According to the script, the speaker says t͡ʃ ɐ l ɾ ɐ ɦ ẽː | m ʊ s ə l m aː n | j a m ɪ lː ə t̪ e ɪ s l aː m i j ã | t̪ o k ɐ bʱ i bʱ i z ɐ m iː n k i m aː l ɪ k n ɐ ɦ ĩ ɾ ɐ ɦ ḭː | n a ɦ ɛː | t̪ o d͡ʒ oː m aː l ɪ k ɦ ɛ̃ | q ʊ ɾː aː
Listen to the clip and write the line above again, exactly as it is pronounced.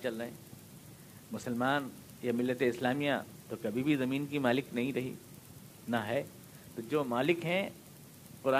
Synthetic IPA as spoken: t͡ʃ ɐ l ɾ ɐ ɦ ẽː | m ʊ s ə l m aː n | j a m ɪ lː ə t̪ e ɪ s l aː m i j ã | t̪ o k ɐ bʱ i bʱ i z ɐ m iː n k i m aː l ɪ k n ɐ ɦ ĩ ɾ ɐ ɦ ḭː | n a ɦ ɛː | t̪ o d͡ʒ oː m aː l ɪ k ɦ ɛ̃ | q ʊ ɾ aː